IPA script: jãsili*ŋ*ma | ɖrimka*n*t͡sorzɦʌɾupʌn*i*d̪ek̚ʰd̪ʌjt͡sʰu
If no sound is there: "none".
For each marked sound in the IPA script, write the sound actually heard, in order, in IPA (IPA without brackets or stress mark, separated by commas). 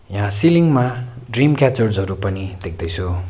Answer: ŋ, none, i